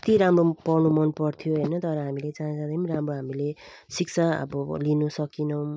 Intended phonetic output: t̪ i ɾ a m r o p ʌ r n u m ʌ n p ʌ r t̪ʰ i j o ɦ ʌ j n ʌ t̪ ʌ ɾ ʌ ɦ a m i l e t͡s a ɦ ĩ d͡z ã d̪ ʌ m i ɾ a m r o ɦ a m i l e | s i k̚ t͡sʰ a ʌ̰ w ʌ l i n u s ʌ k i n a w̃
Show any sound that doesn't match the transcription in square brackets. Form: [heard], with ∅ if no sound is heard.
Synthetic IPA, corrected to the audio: t̪ i ɾ a m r o p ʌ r n u m ʌ n p ʌ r t̪ʰ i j o ɦ ʌ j n ʌ t̪ ʌ ɾ ʌ ɦ a m i l e t͡s a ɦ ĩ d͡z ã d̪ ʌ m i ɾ a m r o ɦ a m i l e | s i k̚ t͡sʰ a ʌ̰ [b] ʌ l i n u s ʌ k i n [ʌ] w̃